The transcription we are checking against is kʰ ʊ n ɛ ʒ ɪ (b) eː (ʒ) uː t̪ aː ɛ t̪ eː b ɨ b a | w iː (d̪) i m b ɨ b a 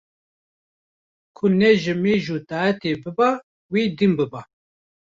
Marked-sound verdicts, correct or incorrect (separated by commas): incorrect, correct, correct